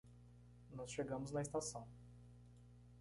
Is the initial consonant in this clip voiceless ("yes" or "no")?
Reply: no